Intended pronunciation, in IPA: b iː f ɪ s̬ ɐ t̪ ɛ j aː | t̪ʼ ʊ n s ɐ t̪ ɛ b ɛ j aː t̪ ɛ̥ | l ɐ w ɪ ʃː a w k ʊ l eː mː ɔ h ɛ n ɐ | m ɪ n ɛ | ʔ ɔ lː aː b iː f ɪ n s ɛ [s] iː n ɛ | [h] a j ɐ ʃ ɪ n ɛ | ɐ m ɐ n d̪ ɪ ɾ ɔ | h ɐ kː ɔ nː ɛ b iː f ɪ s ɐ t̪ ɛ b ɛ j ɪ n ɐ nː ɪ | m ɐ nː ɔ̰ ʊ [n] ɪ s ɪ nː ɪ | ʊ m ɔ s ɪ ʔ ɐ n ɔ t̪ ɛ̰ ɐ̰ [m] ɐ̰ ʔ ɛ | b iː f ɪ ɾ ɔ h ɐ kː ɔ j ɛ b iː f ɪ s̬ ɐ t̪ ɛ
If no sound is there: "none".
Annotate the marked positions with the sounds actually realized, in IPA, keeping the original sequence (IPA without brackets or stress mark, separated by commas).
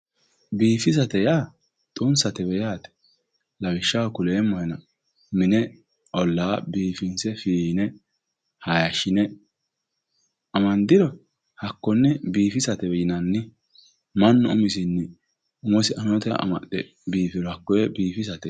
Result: f, h, m, m